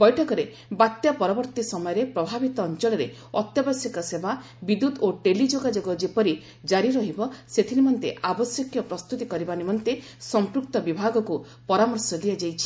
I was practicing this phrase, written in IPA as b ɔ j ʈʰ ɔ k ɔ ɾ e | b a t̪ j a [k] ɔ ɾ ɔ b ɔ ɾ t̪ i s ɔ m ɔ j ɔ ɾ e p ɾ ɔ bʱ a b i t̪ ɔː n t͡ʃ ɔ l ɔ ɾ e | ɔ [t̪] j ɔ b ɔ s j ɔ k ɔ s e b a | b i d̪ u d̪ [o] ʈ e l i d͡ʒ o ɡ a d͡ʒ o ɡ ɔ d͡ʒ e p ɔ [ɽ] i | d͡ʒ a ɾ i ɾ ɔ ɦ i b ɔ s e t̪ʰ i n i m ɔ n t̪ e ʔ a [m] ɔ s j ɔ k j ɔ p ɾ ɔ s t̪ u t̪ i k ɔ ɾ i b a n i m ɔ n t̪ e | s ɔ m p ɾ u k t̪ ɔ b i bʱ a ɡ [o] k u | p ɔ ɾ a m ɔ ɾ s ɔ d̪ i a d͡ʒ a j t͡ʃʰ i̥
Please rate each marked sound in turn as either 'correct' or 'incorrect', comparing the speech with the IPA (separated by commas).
incorrect, correct, correct, incorrect, incorrect, incorrect